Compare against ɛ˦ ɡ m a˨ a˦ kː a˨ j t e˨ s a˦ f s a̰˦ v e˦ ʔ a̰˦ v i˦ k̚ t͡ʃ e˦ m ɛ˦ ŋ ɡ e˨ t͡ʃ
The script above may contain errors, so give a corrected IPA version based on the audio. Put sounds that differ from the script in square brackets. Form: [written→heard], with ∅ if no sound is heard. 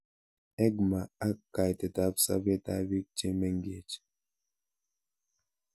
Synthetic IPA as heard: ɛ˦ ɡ m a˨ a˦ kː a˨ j t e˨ [s→t] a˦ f s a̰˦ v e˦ [ʔ→t] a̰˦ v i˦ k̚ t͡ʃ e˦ m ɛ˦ ŋ ɡ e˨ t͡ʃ